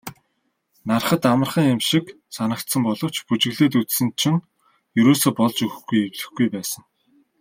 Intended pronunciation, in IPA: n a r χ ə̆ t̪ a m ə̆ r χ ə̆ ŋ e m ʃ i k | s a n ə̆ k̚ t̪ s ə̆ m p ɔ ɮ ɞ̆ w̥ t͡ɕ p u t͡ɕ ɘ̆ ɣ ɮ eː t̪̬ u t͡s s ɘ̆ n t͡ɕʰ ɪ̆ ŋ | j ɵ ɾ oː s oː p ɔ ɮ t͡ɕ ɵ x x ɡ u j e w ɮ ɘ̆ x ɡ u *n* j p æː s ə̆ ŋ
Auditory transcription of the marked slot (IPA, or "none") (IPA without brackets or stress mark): none